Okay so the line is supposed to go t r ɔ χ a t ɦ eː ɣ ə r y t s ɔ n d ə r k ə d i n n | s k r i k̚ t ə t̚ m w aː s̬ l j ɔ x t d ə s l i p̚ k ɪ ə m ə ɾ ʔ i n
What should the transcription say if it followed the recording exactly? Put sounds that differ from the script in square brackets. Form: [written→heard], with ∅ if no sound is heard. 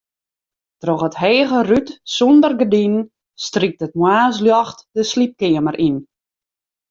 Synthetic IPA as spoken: t r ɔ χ [a→ə] t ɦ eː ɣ ə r y t s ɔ n d ə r [k→ɡ] ə d i n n | s [k→t] r i k̚ t ə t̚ m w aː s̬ l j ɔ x t d ə s l i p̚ k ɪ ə m ə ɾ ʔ i n

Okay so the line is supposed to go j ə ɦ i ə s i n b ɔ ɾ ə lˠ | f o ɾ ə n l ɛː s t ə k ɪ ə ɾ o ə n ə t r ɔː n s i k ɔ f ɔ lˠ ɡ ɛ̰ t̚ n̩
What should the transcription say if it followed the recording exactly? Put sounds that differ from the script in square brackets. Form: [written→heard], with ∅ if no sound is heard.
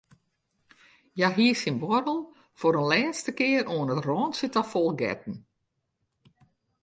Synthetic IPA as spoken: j [ə→a] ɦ i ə s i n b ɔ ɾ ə lˠ | f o ɾ ə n l ɛː s t ə k ɪ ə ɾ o ə n ə t r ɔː n s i [k→t] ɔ f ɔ lˠ ɡ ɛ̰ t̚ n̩

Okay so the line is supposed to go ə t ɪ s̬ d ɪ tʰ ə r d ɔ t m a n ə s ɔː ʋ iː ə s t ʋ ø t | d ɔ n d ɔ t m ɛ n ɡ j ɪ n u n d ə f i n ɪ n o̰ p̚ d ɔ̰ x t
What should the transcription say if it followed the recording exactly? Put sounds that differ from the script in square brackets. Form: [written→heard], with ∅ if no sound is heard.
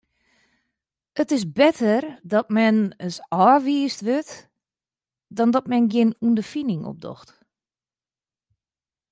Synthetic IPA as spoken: ə t ɪ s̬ [d→b] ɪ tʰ ə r d ɔ t m [a→ɛ] n ə s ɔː ʋ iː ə s t ʋ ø t | d ɔ n d ɔ t m ɛ n ɡ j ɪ n u n d ə f i n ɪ [n→ŋ] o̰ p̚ d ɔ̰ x t

